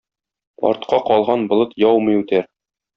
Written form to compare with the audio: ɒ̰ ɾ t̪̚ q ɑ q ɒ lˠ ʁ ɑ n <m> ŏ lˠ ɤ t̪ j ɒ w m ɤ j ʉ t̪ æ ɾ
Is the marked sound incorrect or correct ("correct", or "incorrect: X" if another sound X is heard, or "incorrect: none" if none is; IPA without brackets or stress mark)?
incorrect: b